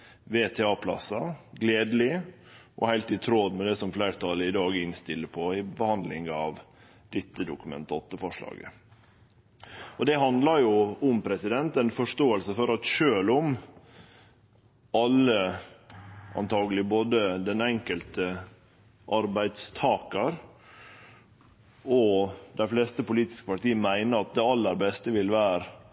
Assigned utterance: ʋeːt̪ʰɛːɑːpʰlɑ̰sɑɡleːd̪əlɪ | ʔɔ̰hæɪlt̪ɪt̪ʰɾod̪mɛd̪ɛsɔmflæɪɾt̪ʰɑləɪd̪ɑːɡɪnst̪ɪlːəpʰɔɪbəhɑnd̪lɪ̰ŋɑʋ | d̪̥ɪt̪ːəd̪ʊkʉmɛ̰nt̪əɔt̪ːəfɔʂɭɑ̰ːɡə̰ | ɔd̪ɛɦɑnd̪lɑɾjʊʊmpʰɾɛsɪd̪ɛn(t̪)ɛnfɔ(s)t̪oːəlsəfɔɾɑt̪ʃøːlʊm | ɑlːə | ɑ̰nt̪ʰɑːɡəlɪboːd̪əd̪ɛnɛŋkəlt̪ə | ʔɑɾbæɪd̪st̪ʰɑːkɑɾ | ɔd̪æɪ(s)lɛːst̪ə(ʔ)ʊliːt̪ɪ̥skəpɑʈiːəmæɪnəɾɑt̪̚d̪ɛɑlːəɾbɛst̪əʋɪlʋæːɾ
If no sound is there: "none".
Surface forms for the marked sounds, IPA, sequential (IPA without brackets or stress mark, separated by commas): t̪, ʂ, f, p